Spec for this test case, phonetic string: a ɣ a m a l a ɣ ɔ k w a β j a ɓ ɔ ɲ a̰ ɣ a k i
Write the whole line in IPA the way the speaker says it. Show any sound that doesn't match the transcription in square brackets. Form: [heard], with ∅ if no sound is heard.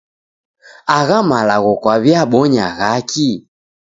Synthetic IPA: a ɣ a m a l a ɣ ɔ k w a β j a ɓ ɔ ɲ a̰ ɣ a k i